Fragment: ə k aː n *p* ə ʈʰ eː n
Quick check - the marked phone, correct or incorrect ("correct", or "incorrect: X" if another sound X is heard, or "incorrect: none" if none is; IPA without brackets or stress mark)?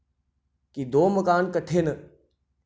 incorrect: k